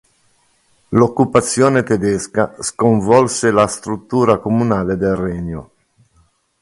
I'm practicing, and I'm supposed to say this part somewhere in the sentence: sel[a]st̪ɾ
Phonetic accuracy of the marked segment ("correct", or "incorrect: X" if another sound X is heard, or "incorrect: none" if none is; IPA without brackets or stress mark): correct